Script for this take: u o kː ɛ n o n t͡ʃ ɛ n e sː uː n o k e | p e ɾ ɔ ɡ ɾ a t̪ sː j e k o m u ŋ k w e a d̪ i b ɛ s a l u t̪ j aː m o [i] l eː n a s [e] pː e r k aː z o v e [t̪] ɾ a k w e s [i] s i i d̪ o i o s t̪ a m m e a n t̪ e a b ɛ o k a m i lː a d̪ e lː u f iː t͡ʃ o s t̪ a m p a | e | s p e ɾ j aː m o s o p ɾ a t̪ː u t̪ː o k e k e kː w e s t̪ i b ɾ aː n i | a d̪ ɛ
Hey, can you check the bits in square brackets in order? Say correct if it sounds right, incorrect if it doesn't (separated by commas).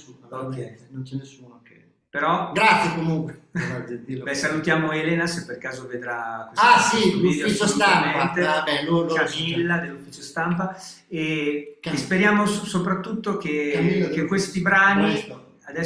incorrect, correct, incorrect, incorrect